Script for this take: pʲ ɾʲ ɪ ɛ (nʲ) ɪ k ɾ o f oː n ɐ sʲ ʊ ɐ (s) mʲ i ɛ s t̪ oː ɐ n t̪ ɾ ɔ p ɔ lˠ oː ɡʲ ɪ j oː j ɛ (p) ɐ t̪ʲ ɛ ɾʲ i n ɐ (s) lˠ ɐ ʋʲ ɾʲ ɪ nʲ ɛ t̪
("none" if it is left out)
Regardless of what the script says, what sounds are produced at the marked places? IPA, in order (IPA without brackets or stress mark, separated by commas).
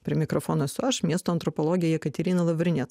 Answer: mʲ, ʃ, k, none